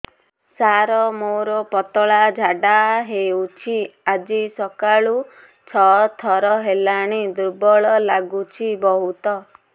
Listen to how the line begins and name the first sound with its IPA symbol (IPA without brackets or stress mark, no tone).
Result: s